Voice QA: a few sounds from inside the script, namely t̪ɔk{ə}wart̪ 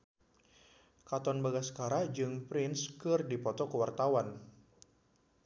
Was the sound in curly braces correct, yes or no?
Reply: yes